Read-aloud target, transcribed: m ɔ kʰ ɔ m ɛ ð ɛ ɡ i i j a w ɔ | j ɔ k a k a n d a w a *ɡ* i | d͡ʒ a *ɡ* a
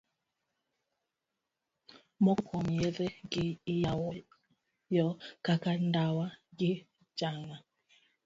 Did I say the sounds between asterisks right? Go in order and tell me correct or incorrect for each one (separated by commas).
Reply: correct, incorrect